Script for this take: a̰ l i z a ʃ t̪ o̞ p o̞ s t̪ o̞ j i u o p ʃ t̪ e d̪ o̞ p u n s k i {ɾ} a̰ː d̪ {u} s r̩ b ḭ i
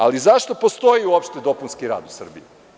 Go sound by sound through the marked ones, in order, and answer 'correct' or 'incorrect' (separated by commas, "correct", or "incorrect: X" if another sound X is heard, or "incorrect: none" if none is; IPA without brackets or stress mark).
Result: correct, correct